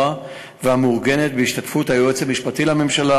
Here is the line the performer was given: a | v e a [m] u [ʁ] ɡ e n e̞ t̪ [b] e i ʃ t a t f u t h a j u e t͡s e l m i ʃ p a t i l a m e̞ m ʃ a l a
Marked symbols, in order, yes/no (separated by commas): yes, yes, yes